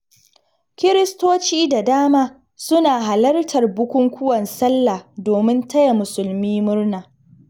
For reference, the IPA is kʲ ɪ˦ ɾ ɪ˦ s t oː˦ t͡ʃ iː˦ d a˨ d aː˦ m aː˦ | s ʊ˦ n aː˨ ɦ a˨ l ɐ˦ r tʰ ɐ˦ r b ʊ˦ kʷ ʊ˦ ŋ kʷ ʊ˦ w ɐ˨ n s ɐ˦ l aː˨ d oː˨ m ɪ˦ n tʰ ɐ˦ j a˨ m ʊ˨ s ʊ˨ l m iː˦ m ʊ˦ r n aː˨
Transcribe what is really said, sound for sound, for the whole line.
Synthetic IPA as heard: kʲ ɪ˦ ɾ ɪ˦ s t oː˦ t͡ʃ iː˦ d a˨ d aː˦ m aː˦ | s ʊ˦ n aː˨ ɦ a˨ l ɐ˦ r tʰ ɐ˨ r b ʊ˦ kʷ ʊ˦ ŋ kʷ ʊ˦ w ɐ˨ n s ɐ˦ lː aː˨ d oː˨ m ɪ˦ n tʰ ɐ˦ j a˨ m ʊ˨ s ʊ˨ l m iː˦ m ʊ˦ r n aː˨